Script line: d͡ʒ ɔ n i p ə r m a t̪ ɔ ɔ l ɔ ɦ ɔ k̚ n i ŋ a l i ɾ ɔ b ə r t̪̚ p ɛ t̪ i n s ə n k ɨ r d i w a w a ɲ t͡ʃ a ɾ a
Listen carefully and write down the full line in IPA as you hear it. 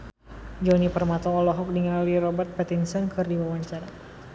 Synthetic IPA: d͡ʒ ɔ n i p ə r m a t̪ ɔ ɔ l ɔ ɦ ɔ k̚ d i ŋ a l i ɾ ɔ b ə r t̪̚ p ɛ t̪ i n s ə n k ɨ r d i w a w a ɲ t͡ʃ a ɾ a